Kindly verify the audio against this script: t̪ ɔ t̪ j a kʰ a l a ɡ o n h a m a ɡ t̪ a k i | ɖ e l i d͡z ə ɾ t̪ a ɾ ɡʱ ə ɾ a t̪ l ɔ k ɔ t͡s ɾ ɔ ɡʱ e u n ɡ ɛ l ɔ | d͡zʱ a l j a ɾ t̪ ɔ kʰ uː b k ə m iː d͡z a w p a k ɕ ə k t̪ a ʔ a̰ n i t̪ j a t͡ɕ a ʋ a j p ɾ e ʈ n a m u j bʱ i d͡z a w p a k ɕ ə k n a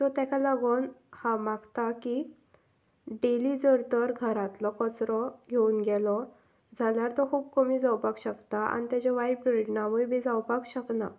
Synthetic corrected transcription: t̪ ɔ t̪ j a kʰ a l a ɡ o n h a m a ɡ t̪ a k i | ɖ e l i d͡z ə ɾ t̪ ə ɾ ɡʱ ə ɾ a t̪ l ɔ k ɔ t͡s ɾ ɔ ɡʱ e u n ɡ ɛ l ɔ | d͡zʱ a l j a ɾ t̪ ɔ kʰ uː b k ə m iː d͡z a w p a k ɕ ə k t̪ a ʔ a̰ n i t̪ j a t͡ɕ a ʋ a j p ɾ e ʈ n a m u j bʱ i d͡z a w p a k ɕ ə k n a